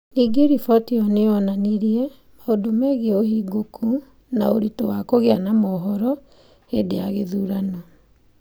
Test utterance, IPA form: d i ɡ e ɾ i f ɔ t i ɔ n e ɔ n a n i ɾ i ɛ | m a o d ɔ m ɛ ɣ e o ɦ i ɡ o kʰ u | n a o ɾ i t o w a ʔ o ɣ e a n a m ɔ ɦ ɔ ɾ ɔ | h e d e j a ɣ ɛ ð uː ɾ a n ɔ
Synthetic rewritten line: n i ɡ e ɾ i f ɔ t i ɔ n e ɔ n a n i ɾ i ɛ | m a o d o m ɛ ɣ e o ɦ i ɡ o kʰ u | n a o ɾ i t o w a k o ɣ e a n a m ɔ ɦ ɔ ɾ ɔ | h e d e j a ɣ e ð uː ɾ a n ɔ

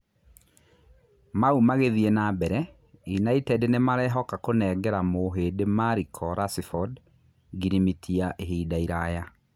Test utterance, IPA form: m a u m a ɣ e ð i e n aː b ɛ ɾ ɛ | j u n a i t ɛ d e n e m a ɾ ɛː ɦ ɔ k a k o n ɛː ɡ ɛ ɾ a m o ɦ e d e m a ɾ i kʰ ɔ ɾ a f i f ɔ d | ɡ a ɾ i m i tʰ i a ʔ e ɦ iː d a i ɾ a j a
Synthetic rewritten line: m a u m a ɣ e ð i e n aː b ɛ ɾ ɛ | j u n a i t ɛ d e n e m a ɾ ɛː ɦ ɔ k a k o n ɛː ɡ ɛ ɾ a m o ɦ e d e m a ɾ i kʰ ɔ ɾ a s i f ɔ d | ɡ i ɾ i m i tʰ i a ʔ e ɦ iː d a i ɾ a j a

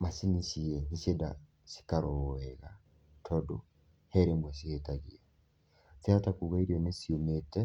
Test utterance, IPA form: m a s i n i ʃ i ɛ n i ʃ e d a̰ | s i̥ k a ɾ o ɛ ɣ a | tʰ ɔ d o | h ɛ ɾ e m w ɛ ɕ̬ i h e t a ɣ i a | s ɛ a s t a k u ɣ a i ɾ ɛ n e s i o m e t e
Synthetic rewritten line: m a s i n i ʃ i ɛ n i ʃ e d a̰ | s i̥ k a ɾ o ɛ ɣ a | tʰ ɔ d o | h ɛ ɾ e m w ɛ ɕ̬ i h e t a ɣ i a | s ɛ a t a k u ɣ a i ɾ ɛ n e s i o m e t ɛ

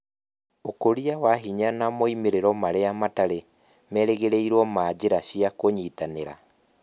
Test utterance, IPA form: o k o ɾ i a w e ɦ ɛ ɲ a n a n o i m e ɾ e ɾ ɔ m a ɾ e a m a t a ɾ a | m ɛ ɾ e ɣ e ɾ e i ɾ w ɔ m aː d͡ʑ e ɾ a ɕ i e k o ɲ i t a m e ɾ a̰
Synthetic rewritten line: o k o ɾ i a w a ɦ i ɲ a n a m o i m e ɾ e ɾ ɔ m a ɾ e a m a t a ɾ e | m ɛ ɾ e ɣ e ɾ e i ɾ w ɔ m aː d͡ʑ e ɾ a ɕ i a k o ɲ i t a n e ɾ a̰

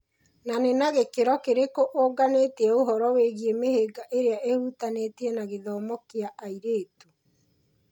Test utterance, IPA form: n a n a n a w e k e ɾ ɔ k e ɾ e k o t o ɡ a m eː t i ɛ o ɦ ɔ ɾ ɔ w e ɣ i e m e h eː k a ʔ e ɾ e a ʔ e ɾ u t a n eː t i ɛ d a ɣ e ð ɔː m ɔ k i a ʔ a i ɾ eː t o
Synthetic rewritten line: n a n e n a ɣ e k e ɾ ɔ k e ɾ e k o ʔ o ɡ a n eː t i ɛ o ɦ ɔ ɾ ɔ w e ɣ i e m e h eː ɡ a ʔ e ɾ e a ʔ e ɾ u t a n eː t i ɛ n a ɣ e ð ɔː m ɔ k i a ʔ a i ɾ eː t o

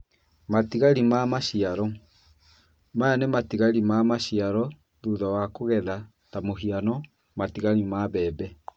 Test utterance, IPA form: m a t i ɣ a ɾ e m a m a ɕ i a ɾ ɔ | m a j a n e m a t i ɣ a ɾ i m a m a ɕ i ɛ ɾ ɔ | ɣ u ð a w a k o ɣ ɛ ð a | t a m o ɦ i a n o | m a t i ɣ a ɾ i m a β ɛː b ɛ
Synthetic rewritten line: m a t i ɣ a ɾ i m a m a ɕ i a ɾ ɔ | m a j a n e m a t i ɣ a ɾ i m a m a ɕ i a ɾ ɔ | ð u ð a w a k o ɣ ɛ ð a | t a m o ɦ i a n ɔ | m a t i ɣ a ɾ i m a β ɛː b ɛ

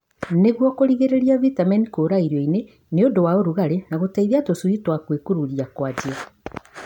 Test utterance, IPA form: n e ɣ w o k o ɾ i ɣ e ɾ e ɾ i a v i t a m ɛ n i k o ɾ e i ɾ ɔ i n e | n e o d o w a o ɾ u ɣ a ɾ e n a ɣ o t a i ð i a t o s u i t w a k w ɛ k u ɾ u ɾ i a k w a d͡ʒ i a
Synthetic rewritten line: n e ɣ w ɔ k o ɾ i ɣ e ɾ e ɾ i a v i t a m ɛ n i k o ɾ a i ɾ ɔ i n e | n e o d o w a o ɾ u ɣ a ɾ e n a ɣ o t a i ð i a t o s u i t w a k w e k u ɾ u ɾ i a k w a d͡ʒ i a

